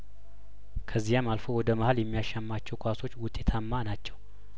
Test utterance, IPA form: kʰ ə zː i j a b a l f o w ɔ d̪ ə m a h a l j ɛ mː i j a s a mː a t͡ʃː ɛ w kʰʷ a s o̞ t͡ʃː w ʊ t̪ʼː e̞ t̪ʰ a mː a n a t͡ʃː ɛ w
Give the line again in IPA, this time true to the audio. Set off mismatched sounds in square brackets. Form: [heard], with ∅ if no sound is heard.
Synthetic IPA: kʰ ə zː i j a [m] a l f o w ɔ d̪ ə m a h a l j ɛ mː i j a [ʃ] a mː a t͡ʃː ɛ w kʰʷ a s o̞ t͡ʃː w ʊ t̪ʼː e̞ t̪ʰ a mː a n a t͡ʃː ɛ w